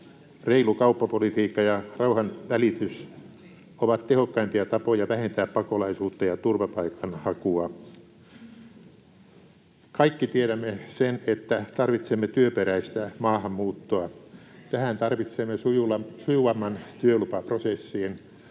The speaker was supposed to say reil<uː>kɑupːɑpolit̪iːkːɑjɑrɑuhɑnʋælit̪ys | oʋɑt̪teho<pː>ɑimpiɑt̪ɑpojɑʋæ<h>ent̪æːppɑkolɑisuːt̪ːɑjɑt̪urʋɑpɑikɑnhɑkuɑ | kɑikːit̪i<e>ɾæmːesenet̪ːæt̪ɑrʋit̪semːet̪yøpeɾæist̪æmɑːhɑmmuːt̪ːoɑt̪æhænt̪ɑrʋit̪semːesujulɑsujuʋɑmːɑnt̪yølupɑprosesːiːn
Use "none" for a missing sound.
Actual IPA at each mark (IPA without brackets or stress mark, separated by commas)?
u, kː, h, e